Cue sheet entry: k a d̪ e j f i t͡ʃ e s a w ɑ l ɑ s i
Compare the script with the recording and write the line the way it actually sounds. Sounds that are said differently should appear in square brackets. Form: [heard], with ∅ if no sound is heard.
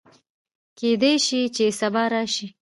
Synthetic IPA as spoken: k [e] d̪ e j [ʃ] i t͡ʃ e s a [b] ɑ [ɾ] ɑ [ʃ] i